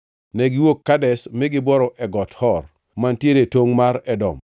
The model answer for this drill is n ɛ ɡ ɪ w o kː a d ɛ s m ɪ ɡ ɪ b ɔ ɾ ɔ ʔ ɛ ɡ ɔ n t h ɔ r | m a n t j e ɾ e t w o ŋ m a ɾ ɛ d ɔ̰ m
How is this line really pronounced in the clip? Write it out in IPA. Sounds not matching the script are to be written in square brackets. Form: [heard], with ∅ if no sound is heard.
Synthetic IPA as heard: n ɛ ɡ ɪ w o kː a d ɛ s m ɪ ɡ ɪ b ɔ ɾ ɔ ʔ ɛ ɡ ɔ [∅] t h ɔ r | m a n t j e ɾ e t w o ŋ m a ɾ ɛ d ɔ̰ m